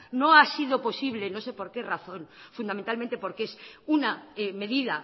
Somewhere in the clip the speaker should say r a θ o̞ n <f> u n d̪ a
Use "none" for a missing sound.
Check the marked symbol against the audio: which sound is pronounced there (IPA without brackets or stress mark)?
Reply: f